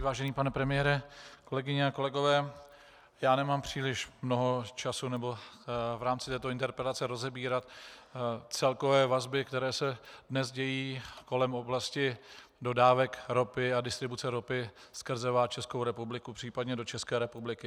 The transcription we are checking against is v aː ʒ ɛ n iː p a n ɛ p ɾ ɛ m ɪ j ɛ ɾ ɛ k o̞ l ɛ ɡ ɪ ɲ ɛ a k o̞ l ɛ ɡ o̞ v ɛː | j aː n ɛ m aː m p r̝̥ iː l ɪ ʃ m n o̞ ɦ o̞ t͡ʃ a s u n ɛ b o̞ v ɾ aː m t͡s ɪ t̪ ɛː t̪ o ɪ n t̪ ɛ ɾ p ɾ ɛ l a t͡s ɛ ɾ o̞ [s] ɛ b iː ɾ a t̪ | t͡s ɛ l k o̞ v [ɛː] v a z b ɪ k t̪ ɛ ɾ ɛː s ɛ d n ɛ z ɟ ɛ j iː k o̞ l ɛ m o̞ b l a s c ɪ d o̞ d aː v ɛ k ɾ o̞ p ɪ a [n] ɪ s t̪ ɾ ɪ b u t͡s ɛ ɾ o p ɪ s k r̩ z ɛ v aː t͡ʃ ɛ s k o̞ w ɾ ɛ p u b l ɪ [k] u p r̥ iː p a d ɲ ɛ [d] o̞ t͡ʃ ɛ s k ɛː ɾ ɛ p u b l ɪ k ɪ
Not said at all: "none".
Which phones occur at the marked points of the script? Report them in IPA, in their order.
z, ɛː, d, k, d

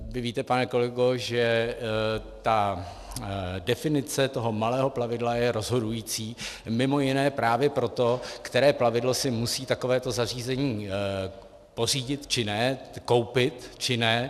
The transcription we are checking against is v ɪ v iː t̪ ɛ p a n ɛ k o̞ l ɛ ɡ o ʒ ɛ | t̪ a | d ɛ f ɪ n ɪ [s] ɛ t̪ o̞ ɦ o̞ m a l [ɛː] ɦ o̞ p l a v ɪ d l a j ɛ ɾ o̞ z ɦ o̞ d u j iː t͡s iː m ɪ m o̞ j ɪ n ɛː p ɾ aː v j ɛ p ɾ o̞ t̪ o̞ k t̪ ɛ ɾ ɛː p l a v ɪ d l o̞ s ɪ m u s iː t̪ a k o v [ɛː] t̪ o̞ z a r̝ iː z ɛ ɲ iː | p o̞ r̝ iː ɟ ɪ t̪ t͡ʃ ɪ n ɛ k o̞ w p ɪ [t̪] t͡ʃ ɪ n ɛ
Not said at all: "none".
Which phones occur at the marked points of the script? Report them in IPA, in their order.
t͡s, ɛː, ɛː, t̪

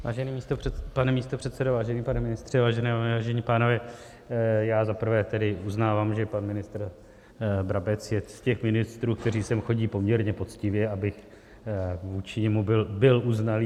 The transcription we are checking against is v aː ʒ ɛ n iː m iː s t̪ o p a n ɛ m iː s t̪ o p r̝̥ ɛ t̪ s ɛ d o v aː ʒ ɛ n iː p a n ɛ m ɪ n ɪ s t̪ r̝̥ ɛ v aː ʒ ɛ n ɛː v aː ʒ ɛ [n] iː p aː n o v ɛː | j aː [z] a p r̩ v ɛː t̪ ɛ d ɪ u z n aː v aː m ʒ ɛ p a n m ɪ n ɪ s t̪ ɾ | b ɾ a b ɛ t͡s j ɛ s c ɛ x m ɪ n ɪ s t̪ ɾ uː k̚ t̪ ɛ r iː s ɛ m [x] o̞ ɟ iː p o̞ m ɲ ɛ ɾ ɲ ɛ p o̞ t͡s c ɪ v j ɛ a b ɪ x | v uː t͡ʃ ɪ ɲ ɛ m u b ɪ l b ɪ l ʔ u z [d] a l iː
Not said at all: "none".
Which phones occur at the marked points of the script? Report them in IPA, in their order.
ɲ, z, x, n

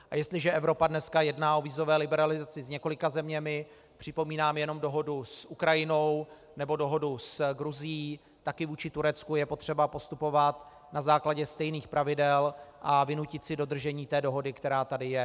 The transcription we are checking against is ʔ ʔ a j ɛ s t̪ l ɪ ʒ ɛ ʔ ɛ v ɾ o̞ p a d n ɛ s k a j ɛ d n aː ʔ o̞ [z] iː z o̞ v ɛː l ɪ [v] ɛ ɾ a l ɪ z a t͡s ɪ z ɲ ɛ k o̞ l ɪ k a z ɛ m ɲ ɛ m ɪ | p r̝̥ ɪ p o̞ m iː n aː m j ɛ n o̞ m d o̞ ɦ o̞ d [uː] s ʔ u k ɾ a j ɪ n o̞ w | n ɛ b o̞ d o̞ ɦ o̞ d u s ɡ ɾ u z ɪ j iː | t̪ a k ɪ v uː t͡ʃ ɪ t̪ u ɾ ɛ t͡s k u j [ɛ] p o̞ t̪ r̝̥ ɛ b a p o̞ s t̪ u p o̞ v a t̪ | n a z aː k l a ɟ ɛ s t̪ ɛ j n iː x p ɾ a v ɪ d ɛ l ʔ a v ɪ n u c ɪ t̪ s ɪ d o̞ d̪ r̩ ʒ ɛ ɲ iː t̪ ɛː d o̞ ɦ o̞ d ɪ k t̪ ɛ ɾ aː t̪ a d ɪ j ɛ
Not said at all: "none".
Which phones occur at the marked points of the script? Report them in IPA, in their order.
v, b, u, ɛ

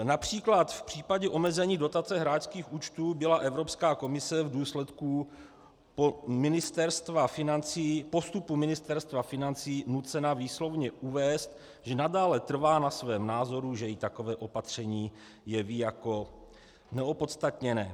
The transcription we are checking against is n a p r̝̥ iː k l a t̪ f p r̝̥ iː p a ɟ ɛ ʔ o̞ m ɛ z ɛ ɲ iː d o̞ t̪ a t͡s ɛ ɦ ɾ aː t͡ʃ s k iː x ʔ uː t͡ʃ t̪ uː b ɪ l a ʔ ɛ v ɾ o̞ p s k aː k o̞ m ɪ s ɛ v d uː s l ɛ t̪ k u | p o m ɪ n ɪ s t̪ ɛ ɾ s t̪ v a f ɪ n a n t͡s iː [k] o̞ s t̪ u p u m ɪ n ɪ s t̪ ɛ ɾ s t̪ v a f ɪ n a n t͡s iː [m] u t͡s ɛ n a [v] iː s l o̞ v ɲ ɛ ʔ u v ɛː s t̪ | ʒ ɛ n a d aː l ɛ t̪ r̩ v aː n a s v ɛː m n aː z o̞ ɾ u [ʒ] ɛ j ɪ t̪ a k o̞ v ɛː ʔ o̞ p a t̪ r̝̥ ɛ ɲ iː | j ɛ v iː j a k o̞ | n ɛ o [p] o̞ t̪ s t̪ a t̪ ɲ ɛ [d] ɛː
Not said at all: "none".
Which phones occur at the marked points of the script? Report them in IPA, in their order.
p, n, v, ʒ, p, n

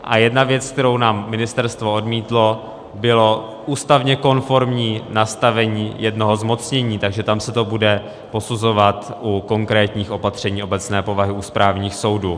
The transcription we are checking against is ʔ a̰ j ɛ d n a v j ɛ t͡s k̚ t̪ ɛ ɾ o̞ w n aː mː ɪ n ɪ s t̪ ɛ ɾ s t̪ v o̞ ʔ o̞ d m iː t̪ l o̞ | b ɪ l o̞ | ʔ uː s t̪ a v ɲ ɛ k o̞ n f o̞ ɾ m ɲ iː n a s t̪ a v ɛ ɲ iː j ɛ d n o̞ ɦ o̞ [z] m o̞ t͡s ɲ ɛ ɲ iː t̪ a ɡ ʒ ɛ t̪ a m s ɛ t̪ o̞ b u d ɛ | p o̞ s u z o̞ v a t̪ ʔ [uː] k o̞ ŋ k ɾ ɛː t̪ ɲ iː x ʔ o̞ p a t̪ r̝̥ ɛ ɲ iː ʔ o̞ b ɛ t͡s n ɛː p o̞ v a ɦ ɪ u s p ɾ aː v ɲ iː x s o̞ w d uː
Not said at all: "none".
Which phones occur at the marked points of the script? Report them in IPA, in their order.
z, u

